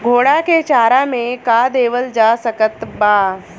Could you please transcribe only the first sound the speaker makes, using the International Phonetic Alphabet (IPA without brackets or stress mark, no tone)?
ɡʱ